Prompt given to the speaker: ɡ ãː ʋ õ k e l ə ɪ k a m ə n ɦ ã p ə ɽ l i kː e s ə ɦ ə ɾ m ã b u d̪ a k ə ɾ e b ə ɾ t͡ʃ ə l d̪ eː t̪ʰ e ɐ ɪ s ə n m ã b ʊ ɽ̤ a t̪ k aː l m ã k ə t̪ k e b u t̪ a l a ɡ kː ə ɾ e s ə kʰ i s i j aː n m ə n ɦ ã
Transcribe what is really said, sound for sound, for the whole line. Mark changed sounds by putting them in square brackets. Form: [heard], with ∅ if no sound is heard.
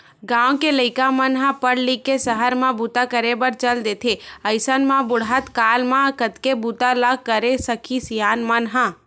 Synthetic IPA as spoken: ɡ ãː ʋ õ k e l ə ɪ k a m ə n ɦ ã p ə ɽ l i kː e s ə ɦ ə ɾ m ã b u [t̪] a k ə ɾ e b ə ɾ t͡ʃ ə l d̪ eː t̪ʰ e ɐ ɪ s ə n m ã b ʊ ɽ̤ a t̪ k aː l m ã k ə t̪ k e b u t̪ a l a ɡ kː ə ɾ e s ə kʰ i s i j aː n m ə n ɦ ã